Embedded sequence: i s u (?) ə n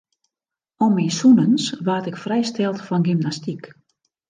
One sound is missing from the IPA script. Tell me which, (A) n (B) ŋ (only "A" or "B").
A